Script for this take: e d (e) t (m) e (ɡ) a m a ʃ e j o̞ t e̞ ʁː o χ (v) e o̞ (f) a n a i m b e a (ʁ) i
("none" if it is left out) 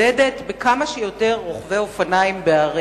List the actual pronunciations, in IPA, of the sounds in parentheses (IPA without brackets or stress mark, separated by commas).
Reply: e, b, k, v, f, ʁ